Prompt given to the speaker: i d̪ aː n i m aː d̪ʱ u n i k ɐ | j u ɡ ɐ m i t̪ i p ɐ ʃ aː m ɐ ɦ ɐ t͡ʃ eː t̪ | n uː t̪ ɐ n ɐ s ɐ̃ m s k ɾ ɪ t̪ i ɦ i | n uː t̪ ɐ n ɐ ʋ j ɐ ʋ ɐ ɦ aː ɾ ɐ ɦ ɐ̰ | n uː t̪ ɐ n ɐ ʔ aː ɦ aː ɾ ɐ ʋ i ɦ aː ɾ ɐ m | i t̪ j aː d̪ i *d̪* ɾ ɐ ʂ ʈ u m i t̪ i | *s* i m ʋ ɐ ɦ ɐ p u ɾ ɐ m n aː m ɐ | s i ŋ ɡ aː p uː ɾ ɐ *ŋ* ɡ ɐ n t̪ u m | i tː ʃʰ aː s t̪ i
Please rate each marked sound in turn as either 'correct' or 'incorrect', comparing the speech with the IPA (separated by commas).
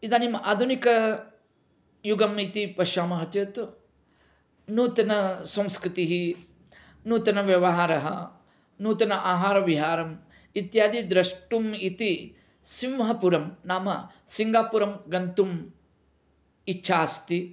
correct, correct, incorrect